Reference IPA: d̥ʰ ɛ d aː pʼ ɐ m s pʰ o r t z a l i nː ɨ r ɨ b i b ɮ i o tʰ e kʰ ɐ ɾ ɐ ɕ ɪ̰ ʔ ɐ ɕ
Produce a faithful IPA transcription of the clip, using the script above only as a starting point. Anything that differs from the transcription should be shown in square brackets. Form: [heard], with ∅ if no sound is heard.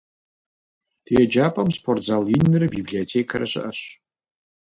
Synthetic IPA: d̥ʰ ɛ [d͡ʒ] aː pʼ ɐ m s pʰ o r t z a l i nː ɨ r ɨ b i b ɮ i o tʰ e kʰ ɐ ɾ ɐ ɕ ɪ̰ ʔ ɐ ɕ